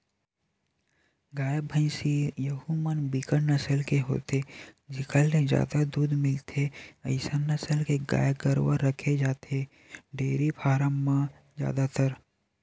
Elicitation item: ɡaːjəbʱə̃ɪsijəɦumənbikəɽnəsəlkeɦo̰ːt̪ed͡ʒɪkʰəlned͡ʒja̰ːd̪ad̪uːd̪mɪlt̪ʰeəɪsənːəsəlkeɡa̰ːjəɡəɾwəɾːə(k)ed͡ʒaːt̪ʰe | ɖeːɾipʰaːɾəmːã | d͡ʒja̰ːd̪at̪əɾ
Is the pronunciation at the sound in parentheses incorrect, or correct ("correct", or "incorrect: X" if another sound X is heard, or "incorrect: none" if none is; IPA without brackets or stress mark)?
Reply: incorrect: kʰ